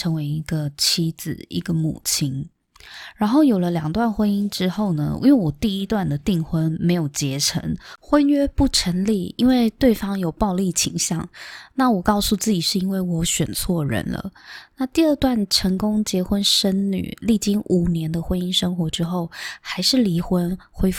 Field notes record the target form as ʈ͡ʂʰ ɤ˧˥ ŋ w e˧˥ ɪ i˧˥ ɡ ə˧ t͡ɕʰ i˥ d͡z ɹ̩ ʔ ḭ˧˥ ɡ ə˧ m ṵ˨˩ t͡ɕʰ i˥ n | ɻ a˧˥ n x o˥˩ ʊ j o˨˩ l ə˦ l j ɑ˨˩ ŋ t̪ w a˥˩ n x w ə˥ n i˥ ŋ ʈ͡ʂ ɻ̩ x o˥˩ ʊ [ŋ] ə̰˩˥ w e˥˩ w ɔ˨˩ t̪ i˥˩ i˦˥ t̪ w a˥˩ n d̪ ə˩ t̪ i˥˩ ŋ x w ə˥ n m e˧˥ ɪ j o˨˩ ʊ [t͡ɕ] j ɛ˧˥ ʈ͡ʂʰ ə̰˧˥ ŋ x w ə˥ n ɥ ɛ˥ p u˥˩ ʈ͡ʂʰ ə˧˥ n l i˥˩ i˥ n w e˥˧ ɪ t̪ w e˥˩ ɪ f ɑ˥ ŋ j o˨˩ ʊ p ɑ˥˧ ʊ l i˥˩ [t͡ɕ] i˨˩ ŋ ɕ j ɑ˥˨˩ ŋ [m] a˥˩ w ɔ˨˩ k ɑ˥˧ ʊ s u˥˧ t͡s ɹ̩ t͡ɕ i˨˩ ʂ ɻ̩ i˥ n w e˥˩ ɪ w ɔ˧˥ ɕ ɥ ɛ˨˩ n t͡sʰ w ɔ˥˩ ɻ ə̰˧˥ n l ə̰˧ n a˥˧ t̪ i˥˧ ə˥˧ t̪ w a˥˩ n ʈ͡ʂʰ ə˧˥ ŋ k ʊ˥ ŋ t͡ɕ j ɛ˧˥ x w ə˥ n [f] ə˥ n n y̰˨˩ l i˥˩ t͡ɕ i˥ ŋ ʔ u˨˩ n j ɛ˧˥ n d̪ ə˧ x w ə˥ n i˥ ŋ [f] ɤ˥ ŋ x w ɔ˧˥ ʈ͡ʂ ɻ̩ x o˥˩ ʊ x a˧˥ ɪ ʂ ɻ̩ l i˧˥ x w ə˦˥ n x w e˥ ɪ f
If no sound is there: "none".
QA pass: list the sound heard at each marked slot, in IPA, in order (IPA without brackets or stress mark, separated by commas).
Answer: n, t͡ɕ, t͡ɕʰ, n, ʂ, ʂ